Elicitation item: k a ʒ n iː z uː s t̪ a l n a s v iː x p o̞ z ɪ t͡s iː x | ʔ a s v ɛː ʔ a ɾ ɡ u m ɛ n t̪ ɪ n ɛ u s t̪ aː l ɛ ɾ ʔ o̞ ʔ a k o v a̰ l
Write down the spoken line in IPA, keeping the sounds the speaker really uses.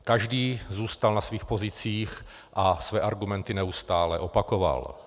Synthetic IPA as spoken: k a ʒ d iː z uː s t̪ a l n a s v iː x p o̞ z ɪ t͡s iː x | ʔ a s v ɛː ʔ a ɾ ɡ u m ɛ n t̪ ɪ n ɛ u s t̪ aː l ɛ ʔ o̞ p a k o v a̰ l